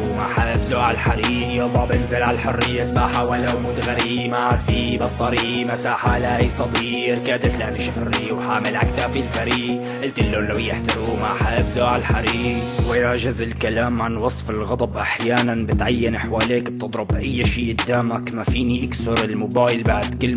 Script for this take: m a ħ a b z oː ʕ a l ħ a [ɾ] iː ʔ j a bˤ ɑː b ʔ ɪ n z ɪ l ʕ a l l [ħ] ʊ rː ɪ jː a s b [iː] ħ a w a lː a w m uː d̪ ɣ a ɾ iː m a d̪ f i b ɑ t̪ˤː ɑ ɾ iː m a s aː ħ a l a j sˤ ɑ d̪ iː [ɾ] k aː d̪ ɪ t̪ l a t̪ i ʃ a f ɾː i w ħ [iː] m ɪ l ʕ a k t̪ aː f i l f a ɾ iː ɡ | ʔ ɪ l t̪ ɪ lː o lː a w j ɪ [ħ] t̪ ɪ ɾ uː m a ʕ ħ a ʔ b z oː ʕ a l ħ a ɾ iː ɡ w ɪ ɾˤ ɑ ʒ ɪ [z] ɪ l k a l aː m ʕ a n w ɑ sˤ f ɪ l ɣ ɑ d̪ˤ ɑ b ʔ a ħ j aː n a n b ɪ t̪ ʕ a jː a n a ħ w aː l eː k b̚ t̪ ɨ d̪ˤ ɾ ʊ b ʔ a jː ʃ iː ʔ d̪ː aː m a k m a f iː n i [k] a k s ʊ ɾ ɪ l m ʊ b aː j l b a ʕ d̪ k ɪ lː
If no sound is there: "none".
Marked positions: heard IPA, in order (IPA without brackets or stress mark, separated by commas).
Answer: ɾ, ħ, aː, ɾ, aː, ħ, z, ʔ